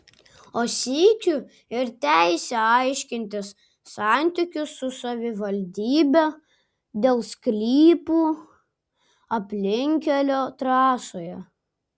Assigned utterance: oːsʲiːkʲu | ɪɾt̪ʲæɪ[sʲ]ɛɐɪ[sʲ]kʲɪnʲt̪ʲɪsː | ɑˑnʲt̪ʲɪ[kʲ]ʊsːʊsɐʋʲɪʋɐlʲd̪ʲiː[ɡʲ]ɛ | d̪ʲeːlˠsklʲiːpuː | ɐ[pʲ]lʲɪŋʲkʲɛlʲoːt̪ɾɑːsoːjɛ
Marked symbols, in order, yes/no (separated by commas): yes, no, yes, no, yes